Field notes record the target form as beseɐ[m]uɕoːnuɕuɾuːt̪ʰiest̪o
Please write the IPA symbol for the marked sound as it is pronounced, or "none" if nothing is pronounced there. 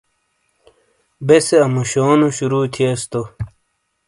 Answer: m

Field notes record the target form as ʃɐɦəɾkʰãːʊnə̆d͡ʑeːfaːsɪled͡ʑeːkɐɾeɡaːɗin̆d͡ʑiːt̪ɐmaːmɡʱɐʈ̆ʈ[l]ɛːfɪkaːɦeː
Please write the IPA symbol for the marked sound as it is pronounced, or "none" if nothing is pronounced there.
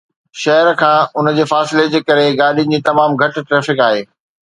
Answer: ɾ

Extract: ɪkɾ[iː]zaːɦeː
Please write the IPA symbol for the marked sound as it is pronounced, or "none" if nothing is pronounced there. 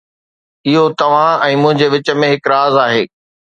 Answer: aː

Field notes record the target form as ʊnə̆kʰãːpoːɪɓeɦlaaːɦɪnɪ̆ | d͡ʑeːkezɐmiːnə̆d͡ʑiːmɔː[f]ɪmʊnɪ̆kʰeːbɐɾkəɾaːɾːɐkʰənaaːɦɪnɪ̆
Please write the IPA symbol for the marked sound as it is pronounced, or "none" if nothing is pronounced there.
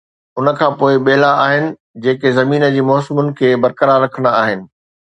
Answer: s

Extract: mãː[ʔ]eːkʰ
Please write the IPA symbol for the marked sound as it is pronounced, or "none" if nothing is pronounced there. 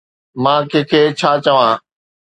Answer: k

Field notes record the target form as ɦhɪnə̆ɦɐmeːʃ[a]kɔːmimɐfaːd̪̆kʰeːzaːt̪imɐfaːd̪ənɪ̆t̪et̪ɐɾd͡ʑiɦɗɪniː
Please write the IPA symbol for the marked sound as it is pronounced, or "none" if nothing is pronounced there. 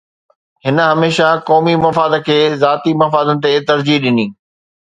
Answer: a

